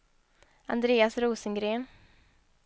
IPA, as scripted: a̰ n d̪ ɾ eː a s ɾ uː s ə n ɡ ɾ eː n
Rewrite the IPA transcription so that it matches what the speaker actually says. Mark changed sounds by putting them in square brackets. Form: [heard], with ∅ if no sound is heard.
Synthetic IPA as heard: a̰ n d̪ ɾ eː a s ɾ uː s ə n ɡ ɾ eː n